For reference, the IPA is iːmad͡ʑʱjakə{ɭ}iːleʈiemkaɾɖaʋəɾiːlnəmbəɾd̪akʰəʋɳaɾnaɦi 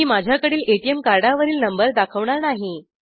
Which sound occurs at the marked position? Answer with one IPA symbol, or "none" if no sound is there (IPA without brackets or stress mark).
ɽ